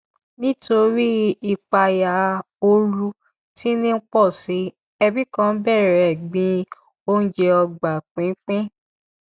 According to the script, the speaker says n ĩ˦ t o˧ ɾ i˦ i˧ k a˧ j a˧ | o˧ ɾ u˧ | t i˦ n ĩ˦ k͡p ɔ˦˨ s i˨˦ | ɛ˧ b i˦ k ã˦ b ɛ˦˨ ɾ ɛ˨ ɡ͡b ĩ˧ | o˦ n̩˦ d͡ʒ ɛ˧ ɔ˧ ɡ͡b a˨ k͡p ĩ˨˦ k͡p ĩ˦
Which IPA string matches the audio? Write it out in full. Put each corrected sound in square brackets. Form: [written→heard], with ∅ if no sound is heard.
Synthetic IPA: n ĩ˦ t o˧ ɾ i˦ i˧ [k→k͡p] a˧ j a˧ | o˧ ɾ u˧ | t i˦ n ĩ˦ k͡p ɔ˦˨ s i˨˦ | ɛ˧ b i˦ k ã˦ b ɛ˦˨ ɾ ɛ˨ ɡ͡b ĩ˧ | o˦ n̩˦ d͡ʒ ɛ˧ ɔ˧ ɡ͡b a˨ k͡p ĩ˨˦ k͡p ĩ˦